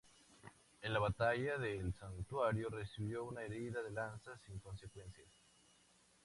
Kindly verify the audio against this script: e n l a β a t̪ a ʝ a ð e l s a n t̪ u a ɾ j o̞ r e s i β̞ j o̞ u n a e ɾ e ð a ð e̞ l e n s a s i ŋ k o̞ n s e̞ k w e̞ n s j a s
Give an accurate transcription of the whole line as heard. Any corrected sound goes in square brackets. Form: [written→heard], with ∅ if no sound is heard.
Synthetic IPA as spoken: e n l a β a t̪ a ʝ a ð e l s a n t̪ [u→w] a ɾ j o̞ r e s i β̞ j o̞ u n a e ɾ [e→i] ð a ð e̞ l [e→a] n s a s i ŋ k o̞ n s e̞ k w e̞ n s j a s